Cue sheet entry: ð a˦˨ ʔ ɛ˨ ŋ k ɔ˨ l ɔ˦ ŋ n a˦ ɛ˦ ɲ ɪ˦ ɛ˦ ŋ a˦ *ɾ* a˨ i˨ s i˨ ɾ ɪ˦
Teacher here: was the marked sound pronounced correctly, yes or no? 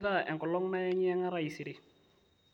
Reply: yes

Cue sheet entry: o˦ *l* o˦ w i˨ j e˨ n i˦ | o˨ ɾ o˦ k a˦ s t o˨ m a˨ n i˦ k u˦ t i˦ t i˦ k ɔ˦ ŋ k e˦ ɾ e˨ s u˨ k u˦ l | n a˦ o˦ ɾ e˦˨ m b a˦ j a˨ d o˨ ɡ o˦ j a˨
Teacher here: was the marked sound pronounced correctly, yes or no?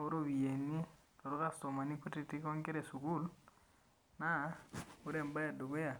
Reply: no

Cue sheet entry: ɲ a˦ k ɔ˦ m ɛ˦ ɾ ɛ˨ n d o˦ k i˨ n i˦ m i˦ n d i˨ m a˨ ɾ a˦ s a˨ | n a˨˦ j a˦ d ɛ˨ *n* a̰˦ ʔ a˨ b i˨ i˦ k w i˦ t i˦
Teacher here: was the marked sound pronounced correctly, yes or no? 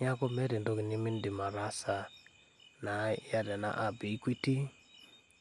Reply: yes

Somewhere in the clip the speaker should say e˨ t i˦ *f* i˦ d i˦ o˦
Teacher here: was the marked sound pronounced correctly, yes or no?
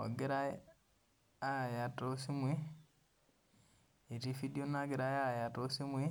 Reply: yes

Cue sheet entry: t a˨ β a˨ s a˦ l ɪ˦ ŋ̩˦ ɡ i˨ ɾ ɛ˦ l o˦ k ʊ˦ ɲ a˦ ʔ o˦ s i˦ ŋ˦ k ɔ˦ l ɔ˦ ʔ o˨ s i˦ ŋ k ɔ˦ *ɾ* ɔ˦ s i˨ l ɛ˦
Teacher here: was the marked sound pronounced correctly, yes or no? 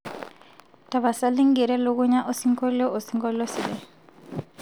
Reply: no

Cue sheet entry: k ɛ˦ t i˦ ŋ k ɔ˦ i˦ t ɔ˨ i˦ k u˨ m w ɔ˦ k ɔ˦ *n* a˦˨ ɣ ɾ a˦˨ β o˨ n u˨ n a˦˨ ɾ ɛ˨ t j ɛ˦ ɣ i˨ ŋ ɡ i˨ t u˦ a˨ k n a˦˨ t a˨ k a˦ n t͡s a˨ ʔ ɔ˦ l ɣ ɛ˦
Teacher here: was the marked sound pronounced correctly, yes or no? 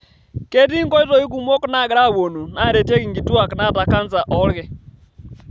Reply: yes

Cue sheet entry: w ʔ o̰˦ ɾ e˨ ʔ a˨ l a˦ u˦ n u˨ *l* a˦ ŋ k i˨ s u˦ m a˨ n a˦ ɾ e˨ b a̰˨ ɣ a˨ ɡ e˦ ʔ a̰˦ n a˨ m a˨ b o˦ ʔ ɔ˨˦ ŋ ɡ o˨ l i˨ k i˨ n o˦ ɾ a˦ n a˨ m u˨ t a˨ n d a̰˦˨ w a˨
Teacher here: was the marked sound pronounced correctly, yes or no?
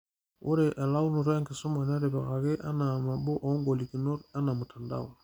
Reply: no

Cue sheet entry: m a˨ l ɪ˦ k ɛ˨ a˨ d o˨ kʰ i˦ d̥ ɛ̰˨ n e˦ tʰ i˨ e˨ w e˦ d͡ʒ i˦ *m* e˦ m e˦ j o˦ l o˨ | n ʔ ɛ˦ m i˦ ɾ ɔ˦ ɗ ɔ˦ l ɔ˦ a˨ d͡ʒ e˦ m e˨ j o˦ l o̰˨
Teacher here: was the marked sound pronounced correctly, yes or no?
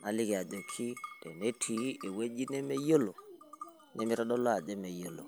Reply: no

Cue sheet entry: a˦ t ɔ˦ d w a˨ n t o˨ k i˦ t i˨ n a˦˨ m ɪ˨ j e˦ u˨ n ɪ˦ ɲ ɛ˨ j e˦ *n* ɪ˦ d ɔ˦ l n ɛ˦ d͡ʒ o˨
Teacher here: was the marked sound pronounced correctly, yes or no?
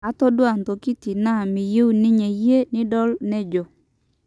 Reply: yes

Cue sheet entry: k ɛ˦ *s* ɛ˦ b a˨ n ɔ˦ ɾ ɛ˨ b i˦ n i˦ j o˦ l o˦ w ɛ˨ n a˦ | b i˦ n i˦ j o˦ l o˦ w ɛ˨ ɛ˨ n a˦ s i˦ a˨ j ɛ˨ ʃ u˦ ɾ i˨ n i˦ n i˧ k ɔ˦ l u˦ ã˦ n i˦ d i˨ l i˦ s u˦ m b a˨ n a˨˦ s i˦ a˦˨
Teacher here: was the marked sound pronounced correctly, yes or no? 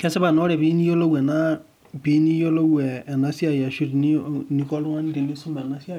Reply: yes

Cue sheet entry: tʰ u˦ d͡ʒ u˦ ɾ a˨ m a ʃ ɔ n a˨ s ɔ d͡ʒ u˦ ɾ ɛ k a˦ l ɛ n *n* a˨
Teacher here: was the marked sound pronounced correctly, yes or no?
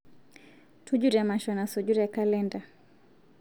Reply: no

